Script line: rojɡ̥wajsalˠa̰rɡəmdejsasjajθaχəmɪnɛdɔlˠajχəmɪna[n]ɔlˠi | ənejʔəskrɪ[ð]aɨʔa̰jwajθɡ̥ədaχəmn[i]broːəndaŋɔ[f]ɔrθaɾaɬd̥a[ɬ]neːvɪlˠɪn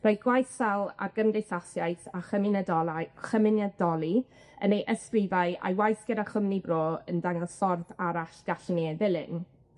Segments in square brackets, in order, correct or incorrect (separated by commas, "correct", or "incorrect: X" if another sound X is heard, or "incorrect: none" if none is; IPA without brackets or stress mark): incorrect: d, incorrect: v, correct, incorrect: s, correct